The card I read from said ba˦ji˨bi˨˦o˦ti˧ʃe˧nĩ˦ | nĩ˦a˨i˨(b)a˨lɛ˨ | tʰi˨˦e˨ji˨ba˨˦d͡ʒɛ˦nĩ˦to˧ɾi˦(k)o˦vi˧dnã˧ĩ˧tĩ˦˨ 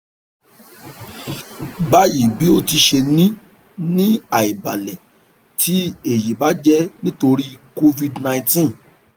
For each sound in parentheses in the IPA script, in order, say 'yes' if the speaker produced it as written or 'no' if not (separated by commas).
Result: yes, yes